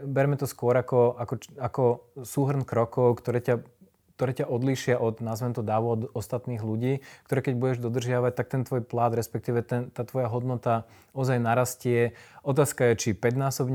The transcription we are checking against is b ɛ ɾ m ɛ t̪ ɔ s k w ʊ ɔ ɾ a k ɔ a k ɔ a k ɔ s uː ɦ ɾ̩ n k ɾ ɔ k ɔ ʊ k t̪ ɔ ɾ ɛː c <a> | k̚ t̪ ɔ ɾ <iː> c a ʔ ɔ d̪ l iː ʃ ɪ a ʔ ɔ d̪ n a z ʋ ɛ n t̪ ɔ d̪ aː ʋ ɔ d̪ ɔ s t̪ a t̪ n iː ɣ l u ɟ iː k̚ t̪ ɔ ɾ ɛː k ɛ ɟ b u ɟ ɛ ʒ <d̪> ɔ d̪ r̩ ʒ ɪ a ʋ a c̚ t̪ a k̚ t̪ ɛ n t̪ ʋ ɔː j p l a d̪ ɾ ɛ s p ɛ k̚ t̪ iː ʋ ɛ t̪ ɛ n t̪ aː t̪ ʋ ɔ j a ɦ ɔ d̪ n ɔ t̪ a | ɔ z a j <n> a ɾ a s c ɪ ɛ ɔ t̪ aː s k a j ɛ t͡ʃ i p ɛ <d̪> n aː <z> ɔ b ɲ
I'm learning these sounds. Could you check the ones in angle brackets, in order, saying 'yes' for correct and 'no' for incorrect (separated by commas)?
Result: yes, no, yes, yes, yes, no